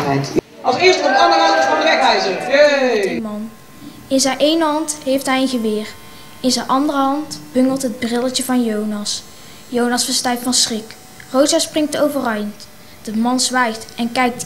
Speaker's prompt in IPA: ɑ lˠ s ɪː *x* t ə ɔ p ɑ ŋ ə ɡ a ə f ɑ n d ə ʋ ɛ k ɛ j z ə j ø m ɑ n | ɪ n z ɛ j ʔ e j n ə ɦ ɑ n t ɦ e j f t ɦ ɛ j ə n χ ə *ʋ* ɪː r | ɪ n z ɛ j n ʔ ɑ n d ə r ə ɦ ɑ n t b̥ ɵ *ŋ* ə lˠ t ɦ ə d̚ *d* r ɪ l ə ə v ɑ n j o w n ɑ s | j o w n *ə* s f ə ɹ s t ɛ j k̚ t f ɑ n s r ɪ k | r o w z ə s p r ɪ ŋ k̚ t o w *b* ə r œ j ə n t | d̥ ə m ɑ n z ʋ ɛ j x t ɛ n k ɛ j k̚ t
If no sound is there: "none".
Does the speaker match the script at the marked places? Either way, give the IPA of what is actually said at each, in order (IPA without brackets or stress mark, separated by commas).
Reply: s, ʋ, ŋ, b, ɑ, v